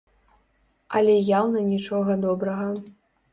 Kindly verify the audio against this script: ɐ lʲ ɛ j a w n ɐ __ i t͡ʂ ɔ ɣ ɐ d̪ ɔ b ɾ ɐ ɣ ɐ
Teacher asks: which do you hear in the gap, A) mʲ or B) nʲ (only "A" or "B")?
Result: B